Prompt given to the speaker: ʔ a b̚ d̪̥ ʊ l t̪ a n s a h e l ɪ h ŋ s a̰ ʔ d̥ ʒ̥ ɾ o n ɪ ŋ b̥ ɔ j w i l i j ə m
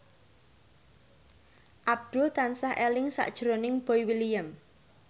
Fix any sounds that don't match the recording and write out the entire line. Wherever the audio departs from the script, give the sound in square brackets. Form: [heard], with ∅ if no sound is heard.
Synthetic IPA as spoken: ʔ a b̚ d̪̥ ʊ l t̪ a n s a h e l ɪ [∅] ŋ s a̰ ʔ d̥ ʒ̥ ɾ o n ɪ ŋ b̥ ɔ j w i l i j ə m